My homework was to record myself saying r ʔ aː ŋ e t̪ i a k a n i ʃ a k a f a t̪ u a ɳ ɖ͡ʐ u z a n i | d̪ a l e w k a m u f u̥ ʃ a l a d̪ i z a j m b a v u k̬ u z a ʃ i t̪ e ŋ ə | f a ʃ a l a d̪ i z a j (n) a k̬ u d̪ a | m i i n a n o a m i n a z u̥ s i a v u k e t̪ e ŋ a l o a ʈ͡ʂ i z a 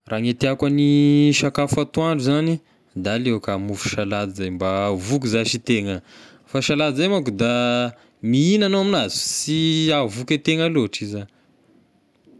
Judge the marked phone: incorrect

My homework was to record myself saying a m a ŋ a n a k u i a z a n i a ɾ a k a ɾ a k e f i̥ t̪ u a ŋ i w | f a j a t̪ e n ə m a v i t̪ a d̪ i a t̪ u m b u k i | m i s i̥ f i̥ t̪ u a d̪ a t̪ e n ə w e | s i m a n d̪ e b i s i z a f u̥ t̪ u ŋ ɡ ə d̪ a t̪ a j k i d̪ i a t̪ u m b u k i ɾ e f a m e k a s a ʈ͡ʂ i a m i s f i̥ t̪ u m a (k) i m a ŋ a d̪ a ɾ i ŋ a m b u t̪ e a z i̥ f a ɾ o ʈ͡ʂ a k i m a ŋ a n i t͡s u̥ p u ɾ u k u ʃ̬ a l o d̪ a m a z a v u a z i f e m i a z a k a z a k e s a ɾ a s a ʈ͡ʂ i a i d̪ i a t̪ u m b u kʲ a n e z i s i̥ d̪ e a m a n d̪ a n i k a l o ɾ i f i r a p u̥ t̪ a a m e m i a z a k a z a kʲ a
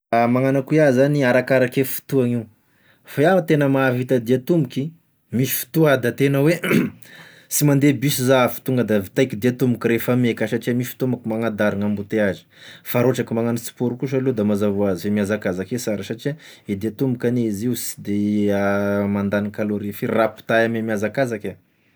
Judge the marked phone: correct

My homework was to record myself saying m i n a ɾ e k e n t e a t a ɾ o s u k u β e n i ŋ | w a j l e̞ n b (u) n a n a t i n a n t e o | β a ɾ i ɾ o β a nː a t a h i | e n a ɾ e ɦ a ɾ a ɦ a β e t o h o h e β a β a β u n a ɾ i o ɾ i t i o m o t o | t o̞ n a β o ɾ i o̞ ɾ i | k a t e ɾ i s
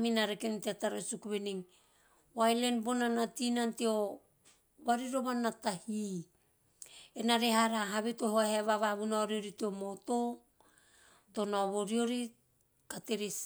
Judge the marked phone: incorrect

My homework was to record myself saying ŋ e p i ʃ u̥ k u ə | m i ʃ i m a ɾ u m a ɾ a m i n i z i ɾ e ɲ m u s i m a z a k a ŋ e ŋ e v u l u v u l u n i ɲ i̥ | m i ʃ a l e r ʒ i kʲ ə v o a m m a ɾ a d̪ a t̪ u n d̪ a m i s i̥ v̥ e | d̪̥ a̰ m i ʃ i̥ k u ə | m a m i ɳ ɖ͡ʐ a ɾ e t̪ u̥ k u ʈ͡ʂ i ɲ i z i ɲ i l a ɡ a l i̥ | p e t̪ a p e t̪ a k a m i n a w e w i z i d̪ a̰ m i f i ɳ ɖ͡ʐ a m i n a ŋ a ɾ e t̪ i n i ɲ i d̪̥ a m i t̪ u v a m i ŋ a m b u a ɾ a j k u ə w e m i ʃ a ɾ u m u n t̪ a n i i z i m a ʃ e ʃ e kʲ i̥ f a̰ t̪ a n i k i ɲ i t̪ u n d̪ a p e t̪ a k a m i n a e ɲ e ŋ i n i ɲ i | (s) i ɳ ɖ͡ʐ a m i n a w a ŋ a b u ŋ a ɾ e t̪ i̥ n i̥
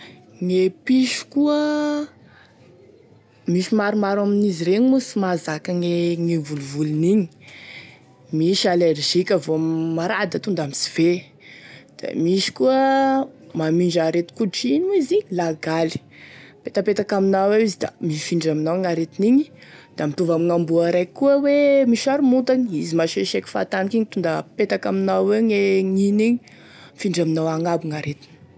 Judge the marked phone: incorrect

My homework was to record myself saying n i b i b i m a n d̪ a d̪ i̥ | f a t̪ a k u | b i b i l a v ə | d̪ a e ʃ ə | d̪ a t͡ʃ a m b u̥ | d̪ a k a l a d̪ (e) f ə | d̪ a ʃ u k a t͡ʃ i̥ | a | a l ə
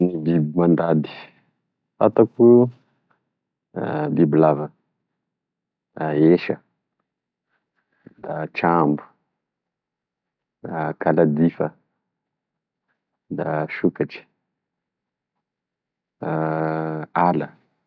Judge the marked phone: incorrect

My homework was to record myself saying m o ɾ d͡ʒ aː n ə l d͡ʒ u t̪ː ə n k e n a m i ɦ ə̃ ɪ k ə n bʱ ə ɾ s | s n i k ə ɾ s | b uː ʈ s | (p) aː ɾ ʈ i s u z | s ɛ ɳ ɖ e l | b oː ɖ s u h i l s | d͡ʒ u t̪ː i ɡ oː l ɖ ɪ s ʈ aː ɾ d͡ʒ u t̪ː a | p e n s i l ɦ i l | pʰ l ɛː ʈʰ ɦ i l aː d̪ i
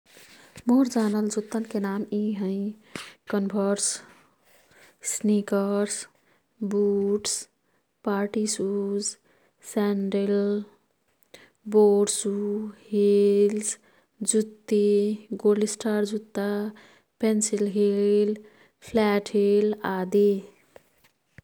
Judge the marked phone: correct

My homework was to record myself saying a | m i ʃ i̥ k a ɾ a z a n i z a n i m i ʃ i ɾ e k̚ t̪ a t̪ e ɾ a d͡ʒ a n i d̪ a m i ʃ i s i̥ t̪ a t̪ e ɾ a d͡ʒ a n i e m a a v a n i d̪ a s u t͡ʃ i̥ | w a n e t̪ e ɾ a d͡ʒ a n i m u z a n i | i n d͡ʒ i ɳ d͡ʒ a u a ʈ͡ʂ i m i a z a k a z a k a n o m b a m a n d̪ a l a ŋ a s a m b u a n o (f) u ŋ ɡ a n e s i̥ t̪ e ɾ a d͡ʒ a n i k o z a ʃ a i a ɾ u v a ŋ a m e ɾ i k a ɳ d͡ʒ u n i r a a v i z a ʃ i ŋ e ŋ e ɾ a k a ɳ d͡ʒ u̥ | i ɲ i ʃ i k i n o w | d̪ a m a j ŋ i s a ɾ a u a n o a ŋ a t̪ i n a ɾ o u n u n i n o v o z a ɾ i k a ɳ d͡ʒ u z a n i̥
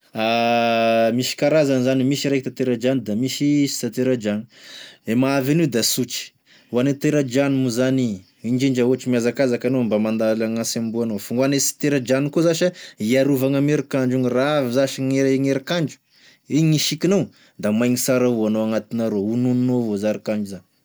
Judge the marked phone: correct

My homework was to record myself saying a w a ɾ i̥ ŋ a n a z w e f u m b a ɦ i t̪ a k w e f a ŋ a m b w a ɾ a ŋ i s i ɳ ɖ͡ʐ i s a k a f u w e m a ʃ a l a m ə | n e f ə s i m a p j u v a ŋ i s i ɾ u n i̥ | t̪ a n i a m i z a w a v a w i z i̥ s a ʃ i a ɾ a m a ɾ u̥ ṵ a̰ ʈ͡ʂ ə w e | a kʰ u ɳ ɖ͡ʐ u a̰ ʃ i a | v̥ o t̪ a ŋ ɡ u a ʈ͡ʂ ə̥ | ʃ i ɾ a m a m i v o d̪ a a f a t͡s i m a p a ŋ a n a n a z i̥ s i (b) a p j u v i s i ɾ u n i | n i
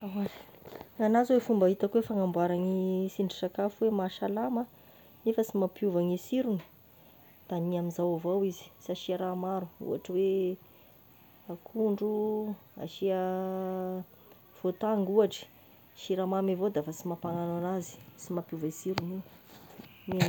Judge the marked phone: incorrect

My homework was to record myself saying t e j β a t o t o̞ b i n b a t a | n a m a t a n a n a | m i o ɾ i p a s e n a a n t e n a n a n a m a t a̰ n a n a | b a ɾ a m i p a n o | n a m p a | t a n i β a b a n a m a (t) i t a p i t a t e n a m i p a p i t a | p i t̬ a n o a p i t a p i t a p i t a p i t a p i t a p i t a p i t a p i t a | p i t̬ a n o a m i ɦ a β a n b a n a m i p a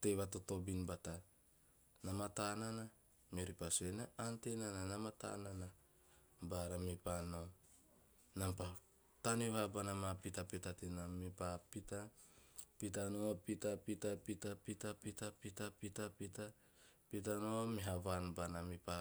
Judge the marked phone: incorrect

